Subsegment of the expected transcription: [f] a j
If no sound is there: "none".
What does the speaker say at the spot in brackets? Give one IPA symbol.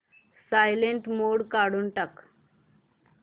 s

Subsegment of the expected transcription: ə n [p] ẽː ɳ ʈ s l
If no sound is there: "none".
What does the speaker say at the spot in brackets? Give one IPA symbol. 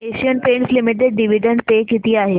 p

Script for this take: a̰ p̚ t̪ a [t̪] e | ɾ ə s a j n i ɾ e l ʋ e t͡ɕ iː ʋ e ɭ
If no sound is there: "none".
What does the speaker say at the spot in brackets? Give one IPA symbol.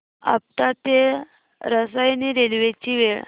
t̪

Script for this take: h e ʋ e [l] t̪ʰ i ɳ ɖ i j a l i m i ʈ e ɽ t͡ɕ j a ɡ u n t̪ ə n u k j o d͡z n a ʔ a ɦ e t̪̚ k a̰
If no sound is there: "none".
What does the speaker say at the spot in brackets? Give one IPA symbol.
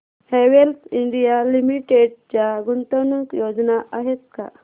l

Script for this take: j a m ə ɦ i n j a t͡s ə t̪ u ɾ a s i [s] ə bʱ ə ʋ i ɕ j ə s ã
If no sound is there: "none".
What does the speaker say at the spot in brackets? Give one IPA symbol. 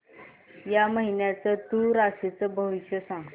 t͡s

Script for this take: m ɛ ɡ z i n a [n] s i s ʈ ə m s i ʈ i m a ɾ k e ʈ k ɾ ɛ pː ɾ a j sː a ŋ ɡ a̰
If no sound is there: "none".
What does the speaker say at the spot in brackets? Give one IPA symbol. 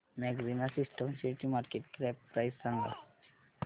none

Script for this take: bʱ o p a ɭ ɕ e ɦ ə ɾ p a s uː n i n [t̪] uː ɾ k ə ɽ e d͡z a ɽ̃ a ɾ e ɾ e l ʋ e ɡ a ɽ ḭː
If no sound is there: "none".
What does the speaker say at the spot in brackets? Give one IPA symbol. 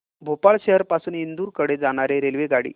d̪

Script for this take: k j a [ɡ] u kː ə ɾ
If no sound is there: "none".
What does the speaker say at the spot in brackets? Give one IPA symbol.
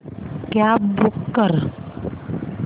b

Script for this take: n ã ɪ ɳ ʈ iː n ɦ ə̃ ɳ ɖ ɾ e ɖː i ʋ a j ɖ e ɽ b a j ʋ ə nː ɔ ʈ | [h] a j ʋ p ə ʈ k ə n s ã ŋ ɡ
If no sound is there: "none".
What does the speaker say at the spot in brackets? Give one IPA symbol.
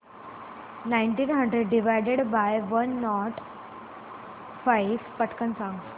f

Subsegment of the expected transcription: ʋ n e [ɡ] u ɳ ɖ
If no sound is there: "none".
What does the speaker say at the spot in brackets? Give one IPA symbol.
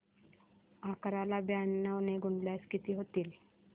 ɡ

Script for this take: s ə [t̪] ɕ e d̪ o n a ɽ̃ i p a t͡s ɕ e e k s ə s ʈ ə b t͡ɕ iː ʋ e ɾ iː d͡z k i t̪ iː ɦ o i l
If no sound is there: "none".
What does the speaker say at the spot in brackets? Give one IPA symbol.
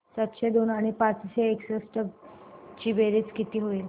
t̪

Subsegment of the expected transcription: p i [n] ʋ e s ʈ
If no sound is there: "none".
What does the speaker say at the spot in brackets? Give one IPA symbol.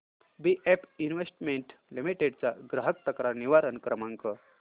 n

